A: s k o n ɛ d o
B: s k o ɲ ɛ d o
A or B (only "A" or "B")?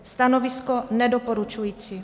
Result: A